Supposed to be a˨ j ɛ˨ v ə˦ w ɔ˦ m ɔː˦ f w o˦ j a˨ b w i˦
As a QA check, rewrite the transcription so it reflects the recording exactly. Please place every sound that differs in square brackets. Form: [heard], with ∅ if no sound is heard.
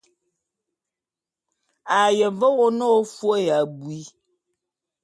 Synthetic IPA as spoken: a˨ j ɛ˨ v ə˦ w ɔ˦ [n] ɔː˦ f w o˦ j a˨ b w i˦